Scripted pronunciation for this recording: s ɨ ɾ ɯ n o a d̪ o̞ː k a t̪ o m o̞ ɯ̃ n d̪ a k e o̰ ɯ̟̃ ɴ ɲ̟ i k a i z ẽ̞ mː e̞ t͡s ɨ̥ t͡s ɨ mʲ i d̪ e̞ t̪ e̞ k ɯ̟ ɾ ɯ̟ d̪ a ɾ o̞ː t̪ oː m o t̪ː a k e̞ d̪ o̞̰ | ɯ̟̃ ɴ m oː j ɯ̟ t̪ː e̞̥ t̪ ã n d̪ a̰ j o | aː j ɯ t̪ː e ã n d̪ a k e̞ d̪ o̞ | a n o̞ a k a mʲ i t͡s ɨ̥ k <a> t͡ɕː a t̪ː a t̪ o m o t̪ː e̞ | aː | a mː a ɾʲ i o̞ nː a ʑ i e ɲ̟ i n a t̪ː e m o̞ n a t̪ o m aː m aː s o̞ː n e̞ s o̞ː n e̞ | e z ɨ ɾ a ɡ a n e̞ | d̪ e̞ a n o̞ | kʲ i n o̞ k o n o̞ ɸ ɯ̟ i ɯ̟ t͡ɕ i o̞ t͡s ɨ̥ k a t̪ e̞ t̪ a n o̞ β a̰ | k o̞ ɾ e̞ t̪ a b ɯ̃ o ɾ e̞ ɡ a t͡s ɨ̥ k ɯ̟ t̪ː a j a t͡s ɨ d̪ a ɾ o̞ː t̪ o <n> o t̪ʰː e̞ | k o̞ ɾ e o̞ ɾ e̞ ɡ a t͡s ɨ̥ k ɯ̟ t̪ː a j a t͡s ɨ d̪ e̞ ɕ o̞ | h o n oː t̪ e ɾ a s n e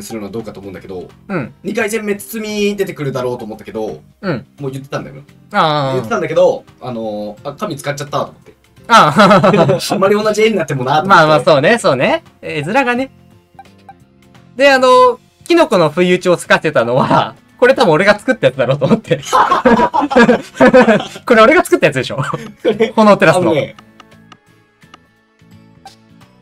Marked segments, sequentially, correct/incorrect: correct, incorrect: m

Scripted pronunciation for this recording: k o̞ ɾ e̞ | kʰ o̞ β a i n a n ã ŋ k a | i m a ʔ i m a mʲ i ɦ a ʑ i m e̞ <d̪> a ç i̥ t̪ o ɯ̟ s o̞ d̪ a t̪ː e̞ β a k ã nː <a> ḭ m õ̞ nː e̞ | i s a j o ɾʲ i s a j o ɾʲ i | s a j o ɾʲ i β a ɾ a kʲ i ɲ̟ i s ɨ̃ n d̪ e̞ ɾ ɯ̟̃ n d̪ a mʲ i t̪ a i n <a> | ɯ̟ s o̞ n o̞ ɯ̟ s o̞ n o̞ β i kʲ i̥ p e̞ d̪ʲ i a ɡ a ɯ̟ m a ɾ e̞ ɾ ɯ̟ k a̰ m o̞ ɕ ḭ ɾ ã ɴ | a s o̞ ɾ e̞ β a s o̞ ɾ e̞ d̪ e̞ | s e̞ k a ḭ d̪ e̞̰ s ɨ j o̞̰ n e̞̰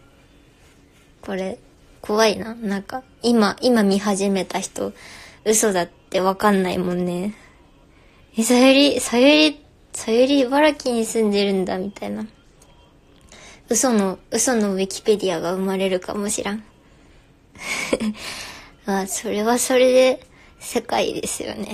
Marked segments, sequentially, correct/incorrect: incorrect: t̪, correct, correct

